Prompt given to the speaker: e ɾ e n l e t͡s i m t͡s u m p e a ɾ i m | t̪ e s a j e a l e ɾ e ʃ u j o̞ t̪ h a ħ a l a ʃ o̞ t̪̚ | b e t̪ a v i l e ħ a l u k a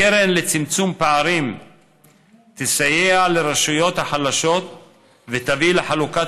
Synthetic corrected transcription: e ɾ e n l e t͡s i m t͡s u m p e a ɾ i m | t̪ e s a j e a l e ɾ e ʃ u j o̞ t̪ h a ħ a l a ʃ o̞ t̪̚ | v e t̪ a v i l e ħ a l u k a